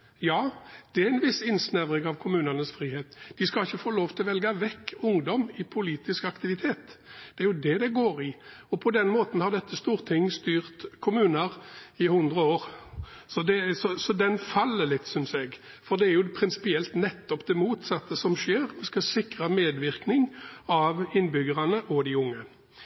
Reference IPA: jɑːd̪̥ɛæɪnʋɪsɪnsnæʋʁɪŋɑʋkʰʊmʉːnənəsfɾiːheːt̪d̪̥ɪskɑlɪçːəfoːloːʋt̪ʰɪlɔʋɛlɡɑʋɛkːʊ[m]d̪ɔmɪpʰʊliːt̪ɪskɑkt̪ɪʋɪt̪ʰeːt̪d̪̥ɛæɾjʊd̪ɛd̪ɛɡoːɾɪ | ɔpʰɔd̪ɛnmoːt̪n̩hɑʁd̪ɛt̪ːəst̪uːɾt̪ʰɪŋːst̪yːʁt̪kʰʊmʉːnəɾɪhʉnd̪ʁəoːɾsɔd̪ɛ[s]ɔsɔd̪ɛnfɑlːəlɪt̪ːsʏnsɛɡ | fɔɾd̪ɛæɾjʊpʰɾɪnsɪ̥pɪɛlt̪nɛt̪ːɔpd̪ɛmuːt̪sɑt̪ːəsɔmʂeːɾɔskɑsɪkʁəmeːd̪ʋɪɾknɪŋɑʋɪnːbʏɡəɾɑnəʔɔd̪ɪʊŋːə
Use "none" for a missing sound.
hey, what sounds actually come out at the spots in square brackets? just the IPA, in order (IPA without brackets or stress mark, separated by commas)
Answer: ŋ, s